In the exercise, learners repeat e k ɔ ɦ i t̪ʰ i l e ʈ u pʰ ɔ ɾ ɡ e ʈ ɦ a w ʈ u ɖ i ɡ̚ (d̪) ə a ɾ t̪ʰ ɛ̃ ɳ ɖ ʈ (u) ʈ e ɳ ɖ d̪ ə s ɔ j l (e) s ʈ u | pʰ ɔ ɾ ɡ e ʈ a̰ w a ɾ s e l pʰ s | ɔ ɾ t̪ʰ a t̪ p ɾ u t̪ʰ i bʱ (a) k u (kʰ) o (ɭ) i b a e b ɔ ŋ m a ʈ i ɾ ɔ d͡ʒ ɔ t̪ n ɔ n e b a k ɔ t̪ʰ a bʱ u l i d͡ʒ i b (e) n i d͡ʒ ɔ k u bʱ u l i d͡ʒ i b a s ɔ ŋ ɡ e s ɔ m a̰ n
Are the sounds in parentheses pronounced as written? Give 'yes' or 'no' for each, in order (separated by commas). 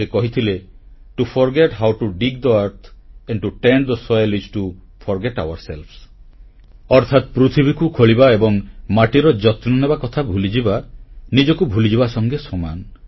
yes, yes, no, no, yes, yes, no